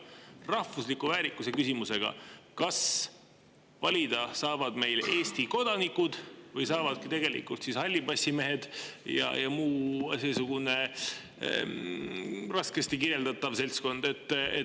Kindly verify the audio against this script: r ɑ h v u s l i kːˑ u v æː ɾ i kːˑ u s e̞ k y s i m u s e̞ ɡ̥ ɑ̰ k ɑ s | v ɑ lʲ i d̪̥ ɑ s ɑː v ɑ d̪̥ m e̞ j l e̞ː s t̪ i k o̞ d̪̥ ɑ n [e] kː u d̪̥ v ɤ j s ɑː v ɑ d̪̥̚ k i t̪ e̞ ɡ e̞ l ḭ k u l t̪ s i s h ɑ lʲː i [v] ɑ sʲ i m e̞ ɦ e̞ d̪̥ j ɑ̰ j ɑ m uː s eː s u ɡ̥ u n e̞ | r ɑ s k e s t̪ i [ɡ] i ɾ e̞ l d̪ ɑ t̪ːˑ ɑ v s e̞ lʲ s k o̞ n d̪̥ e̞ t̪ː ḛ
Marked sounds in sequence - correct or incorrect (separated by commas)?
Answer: incorrect, incorrect, incorrect